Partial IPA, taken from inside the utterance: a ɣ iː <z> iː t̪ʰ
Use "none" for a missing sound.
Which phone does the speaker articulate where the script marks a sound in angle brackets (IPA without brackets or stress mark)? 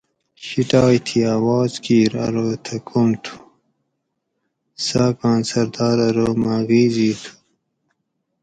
z